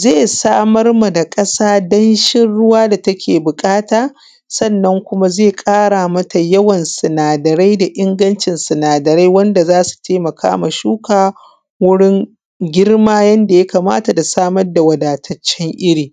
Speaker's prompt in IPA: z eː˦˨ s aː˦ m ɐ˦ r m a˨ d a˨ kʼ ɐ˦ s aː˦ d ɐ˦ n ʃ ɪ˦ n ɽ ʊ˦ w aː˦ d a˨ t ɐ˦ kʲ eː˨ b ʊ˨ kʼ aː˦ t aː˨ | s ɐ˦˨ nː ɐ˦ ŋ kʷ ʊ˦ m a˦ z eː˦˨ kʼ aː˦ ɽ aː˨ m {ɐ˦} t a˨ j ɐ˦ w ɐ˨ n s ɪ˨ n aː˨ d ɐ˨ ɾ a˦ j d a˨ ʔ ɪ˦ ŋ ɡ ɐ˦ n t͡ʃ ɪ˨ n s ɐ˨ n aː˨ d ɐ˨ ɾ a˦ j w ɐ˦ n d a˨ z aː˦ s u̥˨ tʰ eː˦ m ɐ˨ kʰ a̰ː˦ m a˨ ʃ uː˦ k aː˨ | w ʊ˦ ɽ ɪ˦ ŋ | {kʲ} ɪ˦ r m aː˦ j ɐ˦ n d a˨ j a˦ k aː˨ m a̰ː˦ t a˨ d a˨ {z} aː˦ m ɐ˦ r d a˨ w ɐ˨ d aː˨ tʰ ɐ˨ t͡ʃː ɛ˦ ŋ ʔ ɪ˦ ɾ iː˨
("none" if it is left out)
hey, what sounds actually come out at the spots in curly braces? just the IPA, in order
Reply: ɐ˦, ɡʲ, s

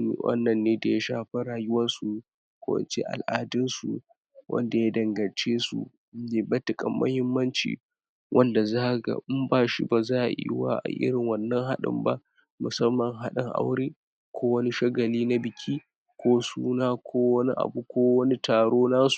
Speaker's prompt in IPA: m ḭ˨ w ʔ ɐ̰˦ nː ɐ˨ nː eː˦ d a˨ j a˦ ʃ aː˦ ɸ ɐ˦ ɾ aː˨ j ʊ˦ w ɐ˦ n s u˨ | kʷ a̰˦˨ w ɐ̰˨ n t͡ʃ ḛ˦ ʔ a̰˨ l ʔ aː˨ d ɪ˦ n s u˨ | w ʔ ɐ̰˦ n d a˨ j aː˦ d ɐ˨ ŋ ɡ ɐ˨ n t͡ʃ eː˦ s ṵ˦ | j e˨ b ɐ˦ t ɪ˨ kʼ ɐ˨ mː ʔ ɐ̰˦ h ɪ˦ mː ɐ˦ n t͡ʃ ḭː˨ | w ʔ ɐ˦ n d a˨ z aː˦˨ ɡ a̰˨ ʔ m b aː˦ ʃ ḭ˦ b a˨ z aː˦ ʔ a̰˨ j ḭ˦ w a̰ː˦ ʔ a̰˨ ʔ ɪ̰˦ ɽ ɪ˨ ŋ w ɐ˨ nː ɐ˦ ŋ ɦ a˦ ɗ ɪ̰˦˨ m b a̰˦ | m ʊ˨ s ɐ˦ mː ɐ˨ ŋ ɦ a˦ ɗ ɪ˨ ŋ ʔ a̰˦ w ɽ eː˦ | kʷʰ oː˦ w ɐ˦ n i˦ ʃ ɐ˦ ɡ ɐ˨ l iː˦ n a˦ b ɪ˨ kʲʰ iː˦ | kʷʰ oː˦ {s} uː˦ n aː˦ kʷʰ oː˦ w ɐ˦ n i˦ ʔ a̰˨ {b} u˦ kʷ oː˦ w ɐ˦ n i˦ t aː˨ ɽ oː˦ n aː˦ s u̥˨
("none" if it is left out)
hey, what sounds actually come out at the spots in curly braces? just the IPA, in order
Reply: s, b

